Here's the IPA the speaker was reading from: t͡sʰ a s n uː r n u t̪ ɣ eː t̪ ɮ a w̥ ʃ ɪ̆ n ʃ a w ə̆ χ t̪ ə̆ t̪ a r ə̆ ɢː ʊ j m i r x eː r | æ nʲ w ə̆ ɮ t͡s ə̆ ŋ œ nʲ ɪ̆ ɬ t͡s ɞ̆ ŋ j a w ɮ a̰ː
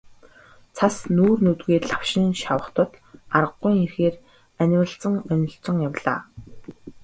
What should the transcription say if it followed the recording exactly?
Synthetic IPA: t͡sʰ a s n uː r n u t̪ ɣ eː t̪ ɮ a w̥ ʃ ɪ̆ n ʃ a w ə̆ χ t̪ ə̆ t̪ a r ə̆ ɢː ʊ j ŋ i r x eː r | æ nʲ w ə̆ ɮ t͡s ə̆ ŋ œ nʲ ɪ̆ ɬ t͡s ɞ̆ ŋ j a w ɮ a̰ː